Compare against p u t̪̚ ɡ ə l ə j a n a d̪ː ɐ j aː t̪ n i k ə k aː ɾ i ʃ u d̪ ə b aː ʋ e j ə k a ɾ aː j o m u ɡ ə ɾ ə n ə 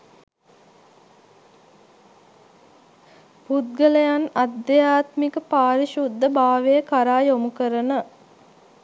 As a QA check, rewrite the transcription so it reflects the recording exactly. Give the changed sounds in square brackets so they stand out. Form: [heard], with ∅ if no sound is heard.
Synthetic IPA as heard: p u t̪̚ ɡ ə l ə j a n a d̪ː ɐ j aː t̪ [m] i k ə [p] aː ɾ i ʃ u [d̪ː] ə b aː ʋ e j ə k a ɾ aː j o m u [k] ə ɾ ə n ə